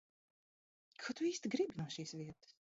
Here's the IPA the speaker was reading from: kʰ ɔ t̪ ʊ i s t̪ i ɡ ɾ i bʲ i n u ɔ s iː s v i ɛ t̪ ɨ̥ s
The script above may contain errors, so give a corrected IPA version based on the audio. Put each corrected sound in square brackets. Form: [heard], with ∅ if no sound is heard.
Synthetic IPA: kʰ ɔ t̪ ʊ [iː] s t̪ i ɡ ɾ i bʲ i n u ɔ [ʃ] iː s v i ɛ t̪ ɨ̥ s